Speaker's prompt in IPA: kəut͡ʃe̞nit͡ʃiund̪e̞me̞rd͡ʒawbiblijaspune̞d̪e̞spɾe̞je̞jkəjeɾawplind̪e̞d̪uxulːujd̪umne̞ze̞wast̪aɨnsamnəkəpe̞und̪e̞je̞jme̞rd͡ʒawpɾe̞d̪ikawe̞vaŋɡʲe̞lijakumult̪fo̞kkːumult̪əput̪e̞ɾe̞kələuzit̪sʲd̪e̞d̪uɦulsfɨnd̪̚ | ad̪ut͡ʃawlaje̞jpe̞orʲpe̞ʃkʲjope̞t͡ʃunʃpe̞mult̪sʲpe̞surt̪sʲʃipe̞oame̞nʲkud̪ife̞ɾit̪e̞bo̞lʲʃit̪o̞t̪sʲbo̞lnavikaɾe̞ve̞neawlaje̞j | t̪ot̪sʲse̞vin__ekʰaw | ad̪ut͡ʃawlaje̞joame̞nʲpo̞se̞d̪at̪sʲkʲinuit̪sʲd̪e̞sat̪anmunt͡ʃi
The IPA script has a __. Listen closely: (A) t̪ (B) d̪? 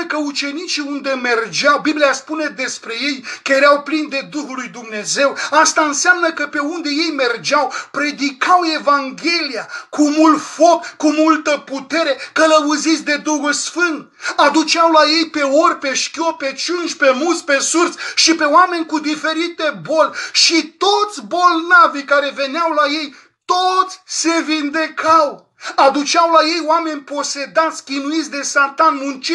B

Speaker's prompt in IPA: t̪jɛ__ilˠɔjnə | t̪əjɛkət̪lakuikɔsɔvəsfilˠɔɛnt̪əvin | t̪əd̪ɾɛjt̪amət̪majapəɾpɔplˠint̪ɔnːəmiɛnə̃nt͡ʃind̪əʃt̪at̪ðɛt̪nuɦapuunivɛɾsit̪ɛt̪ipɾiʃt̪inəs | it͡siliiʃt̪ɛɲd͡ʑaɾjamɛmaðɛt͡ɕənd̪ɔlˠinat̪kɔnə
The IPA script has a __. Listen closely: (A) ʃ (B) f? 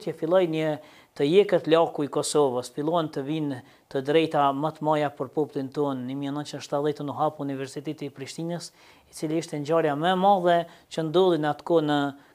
B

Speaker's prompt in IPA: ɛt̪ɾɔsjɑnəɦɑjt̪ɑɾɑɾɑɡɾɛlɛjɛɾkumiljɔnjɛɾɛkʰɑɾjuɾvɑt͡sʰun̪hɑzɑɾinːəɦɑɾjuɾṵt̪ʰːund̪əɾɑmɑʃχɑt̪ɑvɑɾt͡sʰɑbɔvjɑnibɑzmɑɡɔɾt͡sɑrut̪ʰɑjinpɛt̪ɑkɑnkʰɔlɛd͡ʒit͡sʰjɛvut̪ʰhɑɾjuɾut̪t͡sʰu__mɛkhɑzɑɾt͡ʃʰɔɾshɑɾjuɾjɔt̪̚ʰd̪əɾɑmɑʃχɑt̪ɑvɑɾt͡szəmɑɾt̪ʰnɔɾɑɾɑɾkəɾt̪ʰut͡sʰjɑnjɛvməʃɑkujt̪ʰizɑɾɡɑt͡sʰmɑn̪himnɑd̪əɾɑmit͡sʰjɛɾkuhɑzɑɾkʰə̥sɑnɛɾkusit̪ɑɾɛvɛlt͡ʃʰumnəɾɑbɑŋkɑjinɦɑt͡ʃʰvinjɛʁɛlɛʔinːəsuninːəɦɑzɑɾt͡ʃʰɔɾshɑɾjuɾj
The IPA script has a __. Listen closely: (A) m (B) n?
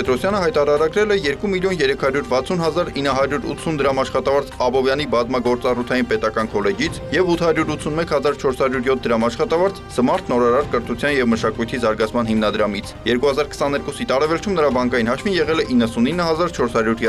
B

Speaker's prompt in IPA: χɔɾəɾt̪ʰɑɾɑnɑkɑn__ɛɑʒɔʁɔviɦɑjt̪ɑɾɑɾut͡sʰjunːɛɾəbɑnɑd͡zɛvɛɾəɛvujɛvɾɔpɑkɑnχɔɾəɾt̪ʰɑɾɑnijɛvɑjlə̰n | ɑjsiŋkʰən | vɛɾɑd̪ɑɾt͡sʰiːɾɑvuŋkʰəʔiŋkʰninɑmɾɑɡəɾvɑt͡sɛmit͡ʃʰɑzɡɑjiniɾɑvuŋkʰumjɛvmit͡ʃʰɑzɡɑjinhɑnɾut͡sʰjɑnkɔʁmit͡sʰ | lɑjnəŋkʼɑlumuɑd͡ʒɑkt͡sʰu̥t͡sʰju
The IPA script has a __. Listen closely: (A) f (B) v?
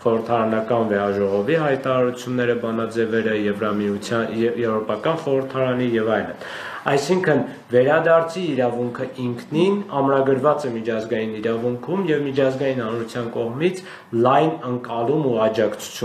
B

